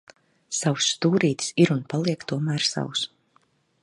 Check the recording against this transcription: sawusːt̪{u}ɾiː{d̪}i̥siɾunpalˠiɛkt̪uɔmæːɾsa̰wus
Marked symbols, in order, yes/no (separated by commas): no, no